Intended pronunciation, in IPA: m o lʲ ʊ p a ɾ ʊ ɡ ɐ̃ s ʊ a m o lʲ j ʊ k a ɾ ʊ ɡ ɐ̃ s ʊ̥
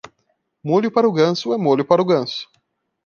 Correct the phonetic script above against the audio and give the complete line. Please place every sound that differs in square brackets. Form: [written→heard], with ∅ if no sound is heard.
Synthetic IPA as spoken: m o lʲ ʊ p a ɾ ʊ ɡ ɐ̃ s ʊ [a→ɛ] m o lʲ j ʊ [k→p] a ɾ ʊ ɡ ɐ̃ s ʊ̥